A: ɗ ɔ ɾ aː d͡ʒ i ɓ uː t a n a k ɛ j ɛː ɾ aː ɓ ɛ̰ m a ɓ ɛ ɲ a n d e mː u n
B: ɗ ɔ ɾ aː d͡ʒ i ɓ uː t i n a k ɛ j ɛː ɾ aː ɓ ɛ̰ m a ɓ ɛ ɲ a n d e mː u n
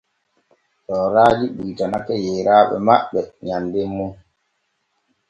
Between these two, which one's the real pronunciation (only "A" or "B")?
A